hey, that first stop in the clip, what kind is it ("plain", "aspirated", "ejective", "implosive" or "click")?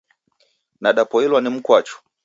implosive